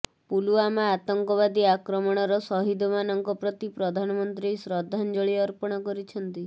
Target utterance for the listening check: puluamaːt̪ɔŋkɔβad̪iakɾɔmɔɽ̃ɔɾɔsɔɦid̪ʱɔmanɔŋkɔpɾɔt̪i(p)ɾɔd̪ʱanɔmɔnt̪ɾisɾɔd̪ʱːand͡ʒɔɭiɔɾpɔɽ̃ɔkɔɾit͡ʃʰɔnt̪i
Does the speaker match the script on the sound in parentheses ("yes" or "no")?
yes